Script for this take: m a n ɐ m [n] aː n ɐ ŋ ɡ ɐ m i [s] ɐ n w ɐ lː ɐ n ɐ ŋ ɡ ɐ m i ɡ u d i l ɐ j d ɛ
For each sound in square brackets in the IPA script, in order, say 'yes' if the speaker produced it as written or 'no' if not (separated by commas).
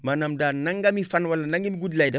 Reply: no, no